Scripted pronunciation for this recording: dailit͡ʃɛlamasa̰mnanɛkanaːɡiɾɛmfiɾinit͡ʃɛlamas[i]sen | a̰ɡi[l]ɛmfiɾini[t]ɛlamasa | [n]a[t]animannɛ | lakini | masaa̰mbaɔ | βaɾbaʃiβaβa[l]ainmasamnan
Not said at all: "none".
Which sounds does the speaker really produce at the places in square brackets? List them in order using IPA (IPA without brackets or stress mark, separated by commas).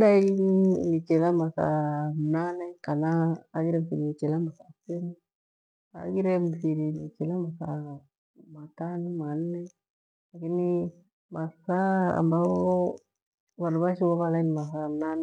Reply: a, ɾ, t͡ʃ, m, t, l